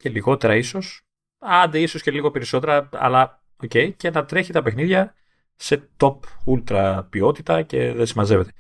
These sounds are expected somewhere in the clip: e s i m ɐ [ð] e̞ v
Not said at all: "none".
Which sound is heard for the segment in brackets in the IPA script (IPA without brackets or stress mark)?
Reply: z